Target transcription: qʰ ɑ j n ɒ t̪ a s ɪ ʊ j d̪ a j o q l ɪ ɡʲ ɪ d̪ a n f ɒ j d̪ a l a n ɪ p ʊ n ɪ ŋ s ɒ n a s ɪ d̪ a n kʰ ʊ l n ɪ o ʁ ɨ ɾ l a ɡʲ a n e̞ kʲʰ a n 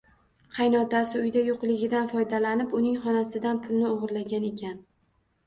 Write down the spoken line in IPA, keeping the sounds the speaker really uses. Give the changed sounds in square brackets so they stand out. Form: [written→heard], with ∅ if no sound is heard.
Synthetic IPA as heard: qʰ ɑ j n ɒ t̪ a s ɪ ʊ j d̪ a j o q l ɪ ɡʲ ɪ d̪ a n f ɒ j d̪ a l a n ɪ p ʊ n ɪ ŋ [s→χ] ɒ n a s ɪ d̪ a n [kʰ→pʰ] ʊ l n ɪ o ʁ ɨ ɾ l a ɡʲ a n e̞ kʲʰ a n